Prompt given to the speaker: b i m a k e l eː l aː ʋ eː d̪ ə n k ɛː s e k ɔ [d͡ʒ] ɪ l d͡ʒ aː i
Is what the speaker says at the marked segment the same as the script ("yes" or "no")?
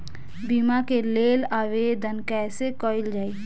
no